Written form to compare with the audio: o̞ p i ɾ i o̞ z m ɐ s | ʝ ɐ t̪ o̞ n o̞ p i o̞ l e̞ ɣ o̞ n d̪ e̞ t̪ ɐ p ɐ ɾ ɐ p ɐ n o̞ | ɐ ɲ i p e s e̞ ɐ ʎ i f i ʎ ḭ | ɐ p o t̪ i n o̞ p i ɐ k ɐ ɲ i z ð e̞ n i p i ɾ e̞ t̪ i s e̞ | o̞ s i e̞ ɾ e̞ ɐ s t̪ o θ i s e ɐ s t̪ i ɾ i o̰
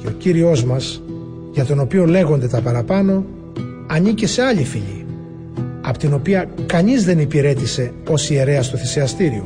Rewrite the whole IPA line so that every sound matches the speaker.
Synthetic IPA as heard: o̞ c i ɾ i o̞ z m ɐ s | ʝ ɐ t̪ o̞ n o̞ p i o̞ l e̞ ɣ o̞ n d̪ e̞ t̪ ɐ p ɐ ɾ ɐ p ɐ n o̞ | ɐ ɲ i c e s e̞ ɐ ʎ i f i ʎ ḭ | ɐ p o t̪ i n o̞ p i ɐ k ɐ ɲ i z ð e̞ n i p i ɾ e̞ t̪ i s e̞ | o̞ s i e̞ ɾ e̞ ɐ s t̪ o θ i s e ɐ s t̪ i ɾ i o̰